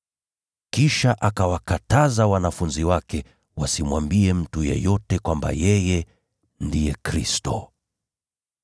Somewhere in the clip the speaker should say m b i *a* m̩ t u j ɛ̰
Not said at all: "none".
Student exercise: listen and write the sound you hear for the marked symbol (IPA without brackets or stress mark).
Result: ɛ